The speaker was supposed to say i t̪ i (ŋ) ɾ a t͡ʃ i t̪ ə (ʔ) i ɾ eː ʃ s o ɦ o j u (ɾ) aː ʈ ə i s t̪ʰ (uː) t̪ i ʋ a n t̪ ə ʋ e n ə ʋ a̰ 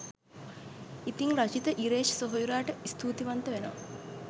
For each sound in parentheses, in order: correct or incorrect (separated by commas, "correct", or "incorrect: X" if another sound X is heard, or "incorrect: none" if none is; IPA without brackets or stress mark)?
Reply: correct, correct, correct, correct